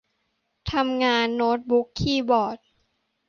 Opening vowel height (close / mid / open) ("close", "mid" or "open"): open